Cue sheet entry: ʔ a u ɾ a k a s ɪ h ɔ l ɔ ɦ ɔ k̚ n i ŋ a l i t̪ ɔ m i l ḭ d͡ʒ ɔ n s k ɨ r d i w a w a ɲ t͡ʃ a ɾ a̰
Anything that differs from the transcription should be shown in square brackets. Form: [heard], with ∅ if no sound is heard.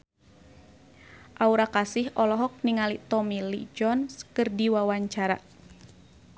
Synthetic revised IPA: ʔ a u ɾ a k a s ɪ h ɔ l ɔ ɦ ɔ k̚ n i ŋ a l i t̪ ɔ m i l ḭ d͡ʒ ɔ n s k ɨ r d i w a w a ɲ t͡ʃ a ɾ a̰